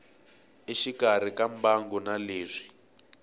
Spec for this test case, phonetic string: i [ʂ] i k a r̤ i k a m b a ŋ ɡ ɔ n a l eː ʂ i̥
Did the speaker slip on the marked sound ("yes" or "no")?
yes